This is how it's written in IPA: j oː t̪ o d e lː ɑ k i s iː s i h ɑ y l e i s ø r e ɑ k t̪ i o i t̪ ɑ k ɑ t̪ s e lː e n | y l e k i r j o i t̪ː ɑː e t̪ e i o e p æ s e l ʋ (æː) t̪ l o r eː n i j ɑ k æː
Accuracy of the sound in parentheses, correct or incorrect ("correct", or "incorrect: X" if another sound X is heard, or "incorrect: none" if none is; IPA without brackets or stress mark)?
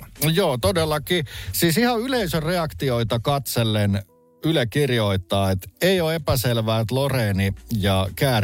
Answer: correct